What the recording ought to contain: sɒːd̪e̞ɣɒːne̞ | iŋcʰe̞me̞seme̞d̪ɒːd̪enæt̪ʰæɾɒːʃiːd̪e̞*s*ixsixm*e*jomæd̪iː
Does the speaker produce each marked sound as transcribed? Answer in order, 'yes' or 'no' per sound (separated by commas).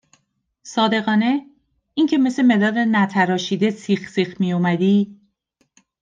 yes, no